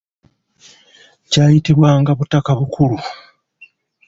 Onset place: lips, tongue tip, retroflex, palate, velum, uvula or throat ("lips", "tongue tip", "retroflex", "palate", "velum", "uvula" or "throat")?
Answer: palate